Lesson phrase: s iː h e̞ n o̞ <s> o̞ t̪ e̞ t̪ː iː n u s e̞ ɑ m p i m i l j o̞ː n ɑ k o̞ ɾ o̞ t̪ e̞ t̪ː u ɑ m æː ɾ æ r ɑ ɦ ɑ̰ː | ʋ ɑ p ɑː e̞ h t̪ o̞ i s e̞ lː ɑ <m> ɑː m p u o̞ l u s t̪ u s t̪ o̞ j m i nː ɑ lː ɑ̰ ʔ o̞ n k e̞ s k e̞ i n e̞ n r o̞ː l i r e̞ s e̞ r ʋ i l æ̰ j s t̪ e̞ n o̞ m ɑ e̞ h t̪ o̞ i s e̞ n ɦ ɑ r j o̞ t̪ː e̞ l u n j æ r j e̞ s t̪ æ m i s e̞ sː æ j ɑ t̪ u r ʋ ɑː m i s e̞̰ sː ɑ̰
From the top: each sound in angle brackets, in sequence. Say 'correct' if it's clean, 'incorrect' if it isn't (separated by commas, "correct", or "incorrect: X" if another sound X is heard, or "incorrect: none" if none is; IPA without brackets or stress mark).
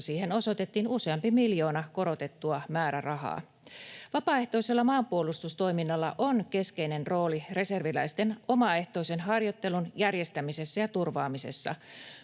correct, correct